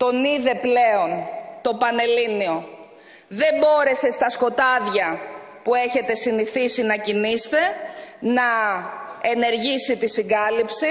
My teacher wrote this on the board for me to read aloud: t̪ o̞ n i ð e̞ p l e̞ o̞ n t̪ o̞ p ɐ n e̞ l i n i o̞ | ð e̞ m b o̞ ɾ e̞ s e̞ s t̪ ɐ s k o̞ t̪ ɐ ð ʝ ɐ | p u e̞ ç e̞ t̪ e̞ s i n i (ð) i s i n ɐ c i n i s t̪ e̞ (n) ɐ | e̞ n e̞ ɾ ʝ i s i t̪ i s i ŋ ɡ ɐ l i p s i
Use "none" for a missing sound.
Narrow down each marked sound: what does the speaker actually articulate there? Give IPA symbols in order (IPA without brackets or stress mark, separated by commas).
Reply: θ, n